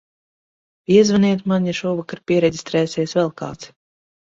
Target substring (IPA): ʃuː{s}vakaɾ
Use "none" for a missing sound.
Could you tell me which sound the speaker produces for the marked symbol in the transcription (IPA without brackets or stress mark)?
none